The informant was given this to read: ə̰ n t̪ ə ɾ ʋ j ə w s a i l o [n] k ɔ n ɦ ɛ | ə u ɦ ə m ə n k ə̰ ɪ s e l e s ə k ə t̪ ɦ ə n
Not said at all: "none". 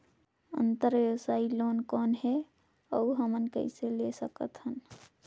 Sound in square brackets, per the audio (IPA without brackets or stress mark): n